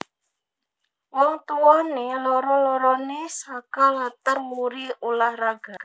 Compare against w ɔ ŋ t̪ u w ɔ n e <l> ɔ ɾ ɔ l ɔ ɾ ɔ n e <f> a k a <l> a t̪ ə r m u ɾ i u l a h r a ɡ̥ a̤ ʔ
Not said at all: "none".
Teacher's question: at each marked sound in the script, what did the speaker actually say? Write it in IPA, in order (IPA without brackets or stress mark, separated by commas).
l, s, l